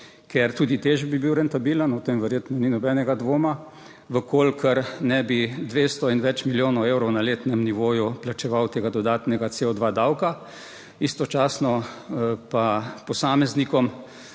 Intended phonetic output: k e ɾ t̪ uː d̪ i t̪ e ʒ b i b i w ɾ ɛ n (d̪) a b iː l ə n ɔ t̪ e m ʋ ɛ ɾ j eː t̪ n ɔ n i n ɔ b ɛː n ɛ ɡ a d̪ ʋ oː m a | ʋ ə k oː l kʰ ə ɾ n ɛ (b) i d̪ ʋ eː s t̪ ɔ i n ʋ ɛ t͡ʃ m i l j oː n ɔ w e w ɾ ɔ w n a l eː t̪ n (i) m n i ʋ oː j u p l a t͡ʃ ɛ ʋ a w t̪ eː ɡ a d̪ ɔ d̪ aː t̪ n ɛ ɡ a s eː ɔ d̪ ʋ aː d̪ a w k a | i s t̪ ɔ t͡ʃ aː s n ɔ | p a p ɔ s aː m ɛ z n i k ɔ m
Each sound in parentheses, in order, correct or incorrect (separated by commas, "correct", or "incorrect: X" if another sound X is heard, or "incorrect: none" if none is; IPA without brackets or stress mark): incorrect: t̪, correct, incorrect: ɛ